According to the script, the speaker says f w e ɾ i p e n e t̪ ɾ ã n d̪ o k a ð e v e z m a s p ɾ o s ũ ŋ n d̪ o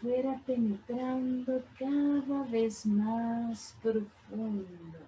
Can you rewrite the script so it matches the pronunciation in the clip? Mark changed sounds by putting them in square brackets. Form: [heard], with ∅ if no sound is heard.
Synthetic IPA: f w e ɾ [a] p e n e t̪ ɾ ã n d̪ o k a ð [a] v e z m a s p ɾ o [f] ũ [n] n d̪ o